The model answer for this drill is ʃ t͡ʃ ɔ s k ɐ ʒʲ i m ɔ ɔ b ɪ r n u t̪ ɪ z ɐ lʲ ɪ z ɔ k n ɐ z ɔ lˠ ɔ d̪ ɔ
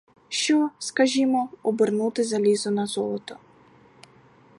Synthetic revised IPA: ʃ t͡ʃ ɔ s k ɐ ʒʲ i m ɔ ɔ b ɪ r n u t̪ ɪ z ɐ lʲ i z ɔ n ɐ z ɔ lˠ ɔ t̪ ɔ